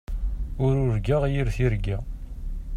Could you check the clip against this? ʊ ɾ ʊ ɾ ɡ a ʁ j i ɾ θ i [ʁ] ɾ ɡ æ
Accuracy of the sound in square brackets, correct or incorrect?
incorrect